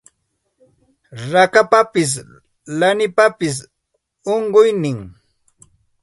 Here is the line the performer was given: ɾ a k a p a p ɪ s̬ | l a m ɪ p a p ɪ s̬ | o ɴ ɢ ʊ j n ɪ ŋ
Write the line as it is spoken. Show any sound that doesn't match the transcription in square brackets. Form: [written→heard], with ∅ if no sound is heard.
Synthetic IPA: ɾ a k a p a p ɪ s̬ | l a [m→n] ɪ p a p ɪ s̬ | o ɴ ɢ ʊ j n ɪ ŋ